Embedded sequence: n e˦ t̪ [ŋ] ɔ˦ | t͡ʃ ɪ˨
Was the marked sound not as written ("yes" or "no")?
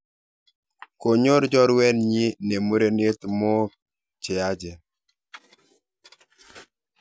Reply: yes